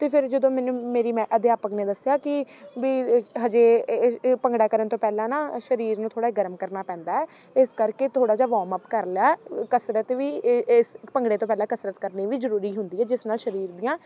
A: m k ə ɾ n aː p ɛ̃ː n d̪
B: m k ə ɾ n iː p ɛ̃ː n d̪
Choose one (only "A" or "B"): A